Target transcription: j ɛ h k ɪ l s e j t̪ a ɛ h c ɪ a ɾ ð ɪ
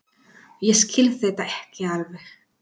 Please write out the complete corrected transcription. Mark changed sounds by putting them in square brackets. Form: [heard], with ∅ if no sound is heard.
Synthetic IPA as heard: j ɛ [s] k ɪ l [θ] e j t̪ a ɛ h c ɪ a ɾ [v] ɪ